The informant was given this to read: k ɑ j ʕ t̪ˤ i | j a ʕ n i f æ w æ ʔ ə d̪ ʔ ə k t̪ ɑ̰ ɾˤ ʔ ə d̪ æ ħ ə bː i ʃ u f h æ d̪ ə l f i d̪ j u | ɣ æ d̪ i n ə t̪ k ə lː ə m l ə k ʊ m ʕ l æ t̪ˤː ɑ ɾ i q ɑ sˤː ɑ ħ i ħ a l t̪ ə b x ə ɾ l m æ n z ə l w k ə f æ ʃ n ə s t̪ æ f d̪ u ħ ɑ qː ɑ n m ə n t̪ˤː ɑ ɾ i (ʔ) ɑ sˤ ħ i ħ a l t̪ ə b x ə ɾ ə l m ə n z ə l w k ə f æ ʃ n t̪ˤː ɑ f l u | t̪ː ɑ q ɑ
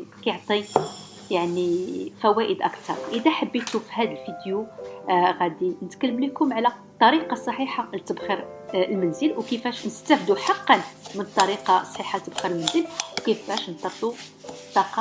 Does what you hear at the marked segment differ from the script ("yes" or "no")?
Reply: yes